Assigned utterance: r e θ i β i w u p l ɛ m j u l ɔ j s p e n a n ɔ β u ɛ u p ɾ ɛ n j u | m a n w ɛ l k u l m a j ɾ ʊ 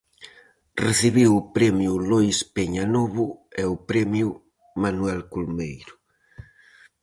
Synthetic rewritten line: r e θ i β i w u p ɾ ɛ m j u l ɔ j s p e ɲ a n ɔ β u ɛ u p ɾ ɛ m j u | m a n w ɛ l k u l m e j ɾ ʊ